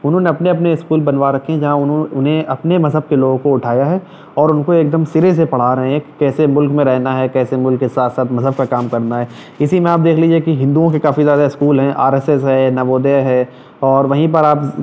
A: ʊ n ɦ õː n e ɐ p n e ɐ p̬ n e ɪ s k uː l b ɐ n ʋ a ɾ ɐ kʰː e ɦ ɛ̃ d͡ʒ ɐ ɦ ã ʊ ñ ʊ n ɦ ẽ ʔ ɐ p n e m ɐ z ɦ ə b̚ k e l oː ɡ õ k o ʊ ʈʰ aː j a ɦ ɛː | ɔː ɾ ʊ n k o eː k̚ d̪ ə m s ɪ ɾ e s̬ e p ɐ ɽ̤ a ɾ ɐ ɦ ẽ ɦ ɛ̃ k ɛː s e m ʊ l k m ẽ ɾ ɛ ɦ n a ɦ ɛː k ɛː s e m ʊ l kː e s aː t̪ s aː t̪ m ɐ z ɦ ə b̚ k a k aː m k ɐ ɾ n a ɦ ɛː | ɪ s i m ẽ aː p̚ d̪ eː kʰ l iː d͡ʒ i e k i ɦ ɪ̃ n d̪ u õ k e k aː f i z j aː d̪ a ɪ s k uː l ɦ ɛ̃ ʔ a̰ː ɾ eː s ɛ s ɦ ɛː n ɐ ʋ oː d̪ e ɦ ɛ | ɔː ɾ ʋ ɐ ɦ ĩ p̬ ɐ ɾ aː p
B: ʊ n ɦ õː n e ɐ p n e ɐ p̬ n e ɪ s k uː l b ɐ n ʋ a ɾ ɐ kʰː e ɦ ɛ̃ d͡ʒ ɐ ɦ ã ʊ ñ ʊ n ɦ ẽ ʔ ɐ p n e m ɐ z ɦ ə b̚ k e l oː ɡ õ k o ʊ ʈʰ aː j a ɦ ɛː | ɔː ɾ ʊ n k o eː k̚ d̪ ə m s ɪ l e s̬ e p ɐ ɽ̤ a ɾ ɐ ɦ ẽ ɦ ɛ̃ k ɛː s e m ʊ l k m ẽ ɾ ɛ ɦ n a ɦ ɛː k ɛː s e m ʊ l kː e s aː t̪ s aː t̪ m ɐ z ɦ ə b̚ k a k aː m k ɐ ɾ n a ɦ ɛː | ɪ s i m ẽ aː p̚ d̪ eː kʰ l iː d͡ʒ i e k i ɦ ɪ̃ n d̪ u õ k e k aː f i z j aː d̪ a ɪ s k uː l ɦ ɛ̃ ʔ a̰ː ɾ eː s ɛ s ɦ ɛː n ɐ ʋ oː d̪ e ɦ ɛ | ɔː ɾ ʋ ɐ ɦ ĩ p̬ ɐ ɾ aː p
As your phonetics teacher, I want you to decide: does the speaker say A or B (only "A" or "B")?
A